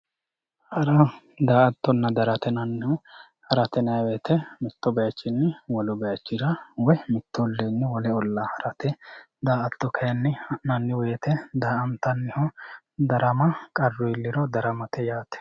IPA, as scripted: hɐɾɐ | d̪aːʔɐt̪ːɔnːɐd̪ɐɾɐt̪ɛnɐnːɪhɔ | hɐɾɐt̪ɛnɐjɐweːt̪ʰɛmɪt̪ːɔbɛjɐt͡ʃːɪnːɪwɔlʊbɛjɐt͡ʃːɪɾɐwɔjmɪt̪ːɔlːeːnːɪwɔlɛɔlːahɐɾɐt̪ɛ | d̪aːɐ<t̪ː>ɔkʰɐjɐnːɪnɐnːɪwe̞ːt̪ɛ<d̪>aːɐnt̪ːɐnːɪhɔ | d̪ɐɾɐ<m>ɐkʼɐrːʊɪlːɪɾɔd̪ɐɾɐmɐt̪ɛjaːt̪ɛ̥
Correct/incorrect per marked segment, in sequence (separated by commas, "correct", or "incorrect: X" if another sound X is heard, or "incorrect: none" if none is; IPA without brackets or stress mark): correct, correct, correct